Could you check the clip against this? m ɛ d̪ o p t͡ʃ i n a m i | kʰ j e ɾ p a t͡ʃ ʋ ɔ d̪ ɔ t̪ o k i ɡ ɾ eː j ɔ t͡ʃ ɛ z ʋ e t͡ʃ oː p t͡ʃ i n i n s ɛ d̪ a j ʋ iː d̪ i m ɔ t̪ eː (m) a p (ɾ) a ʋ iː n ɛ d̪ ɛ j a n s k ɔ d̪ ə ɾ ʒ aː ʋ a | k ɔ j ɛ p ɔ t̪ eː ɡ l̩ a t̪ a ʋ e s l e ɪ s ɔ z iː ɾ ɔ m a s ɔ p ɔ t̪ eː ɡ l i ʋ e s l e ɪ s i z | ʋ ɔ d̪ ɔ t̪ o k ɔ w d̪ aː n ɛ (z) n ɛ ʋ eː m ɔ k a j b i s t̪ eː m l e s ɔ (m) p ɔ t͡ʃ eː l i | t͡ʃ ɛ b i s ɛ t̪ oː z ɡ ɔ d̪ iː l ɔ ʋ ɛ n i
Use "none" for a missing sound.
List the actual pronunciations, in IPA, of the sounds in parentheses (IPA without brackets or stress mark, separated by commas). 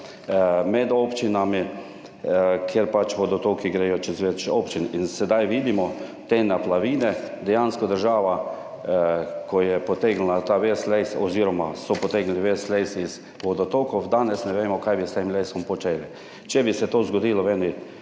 n, l, s, m